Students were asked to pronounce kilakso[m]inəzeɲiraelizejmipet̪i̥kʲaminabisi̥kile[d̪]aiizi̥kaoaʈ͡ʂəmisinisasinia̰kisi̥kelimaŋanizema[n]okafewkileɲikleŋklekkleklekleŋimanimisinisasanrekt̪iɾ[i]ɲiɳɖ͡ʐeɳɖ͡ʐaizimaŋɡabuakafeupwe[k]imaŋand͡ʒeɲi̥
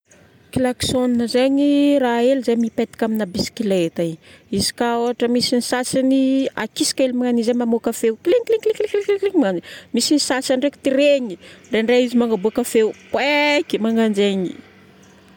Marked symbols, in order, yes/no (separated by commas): no, no, no, no, yes